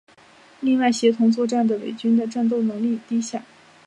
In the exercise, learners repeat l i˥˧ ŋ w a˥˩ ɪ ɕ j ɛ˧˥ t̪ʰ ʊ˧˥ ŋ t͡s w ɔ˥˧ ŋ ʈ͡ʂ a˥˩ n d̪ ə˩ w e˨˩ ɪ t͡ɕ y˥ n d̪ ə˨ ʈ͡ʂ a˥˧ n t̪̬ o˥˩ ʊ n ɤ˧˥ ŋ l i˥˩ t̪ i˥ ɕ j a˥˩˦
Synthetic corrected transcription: l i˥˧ ŋ w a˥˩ ɪ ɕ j ɛ˧˥ t̪ʰ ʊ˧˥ ŋ t͡s w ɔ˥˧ ʈ͡ʂ a˥˩ n d̪ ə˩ w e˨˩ ɪ t͡ɕ y˥ n d̪ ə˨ ʈ͡ʂ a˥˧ n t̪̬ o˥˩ ʊ n ɤ˧˥ ŋ l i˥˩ t̪ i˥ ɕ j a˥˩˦